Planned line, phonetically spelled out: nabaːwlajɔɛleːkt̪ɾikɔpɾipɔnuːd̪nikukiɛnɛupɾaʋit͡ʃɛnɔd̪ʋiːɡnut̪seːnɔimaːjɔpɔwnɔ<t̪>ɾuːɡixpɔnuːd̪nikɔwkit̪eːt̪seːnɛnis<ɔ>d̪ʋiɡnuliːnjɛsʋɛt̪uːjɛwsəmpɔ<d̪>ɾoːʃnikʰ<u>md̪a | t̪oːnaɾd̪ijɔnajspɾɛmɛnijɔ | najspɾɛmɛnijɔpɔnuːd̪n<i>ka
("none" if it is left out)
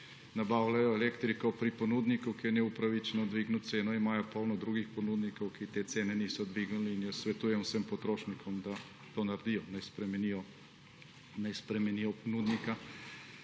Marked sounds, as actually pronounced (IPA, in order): d̪, ɔ, t̪, ɔ, i

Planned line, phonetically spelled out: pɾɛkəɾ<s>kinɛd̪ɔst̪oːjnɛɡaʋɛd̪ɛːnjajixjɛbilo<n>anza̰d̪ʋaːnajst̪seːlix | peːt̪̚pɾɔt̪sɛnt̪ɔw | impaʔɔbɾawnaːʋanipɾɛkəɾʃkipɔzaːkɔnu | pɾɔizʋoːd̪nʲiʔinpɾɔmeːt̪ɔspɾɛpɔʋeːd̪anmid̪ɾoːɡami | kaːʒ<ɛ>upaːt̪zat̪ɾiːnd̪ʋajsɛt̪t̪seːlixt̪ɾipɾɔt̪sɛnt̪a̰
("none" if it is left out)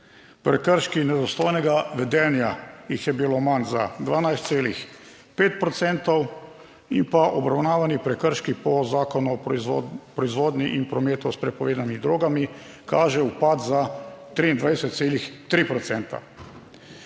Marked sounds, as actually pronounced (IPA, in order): ʃ, m, ɛ

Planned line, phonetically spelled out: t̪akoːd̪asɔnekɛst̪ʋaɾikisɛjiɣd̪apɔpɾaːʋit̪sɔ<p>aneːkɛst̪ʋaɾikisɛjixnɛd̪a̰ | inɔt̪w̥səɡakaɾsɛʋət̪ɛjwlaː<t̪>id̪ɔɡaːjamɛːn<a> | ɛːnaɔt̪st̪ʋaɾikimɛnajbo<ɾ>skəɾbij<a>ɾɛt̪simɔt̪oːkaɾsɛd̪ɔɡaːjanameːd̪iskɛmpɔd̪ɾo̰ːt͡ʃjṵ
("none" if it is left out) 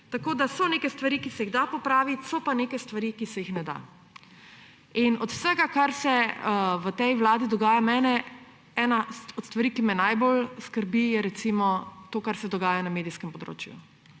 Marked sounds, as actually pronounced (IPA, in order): p, d̪, ɛ, l, ɛ

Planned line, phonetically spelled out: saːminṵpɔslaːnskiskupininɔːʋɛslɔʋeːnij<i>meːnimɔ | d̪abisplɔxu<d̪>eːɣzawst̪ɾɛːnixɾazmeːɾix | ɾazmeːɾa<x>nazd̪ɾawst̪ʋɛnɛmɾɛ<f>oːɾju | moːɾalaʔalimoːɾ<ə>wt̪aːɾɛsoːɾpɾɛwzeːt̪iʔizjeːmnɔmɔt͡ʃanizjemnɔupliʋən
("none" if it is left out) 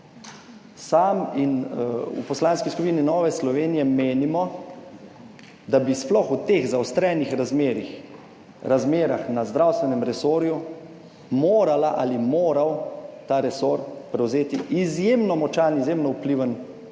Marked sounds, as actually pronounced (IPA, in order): ɛ, t̪, x, s, a

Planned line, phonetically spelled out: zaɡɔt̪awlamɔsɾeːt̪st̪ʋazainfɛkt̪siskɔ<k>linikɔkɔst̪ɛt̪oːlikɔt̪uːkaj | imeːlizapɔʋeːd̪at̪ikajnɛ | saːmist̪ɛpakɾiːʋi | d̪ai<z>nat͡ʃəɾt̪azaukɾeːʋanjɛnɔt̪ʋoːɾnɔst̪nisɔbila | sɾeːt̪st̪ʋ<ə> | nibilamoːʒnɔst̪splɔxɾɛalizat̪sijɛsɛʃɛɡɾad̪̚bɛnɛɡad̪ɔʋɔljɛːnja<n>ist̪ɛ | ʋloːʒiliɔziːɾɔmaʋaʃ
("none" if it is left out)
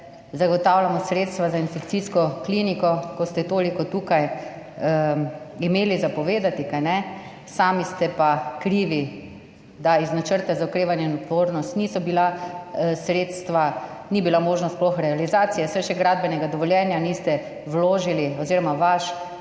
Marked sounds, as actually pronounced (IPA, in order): k, z, a, n

